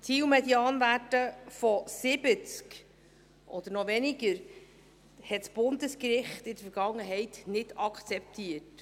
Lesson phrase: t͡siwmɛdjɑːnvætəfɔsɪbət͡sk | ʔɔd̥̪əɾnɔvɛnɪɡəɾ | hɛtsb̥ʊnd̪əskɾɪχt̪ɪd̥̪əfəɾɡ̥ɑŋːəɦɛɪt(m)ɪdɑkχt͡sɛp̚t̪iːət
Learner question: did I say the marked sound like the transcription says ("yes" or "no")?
no